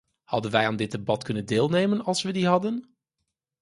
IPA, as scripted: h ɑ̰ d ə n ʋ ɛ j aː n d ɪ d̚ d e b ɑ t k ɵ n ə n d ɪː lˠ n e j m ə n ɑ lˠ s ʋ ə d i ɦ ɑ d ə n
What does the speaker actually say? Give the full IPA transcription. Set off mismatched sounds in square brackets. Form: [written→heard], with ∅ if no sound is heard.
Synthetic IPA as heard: h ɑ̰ d ə n ʋ ɛ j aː n d ɪ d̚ d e b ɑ t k ɵ n ə n d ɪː lˠ n e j m ə n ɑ lˠ s ʋ ə d i ɦ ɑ d ə n